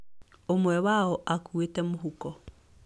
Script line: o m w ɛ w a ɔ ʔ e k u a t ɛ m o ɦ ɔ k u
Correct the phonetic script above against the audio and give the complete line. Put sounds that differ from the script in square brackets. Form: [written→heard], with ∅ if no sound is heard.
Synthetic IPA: o m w ɛ w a ɔ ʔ [e→a] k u [a→e] t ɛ m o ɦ [ɔ→u] k [u→ɔ]